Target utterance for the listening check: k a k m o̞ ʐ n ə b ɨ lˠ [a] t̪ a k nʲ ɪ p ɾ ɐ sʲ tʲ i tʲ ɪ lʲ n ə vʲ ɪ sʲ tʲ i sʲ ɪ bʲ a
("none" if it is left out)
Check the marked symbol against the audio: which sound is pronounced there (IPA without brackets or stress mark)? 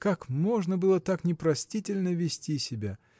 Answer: ə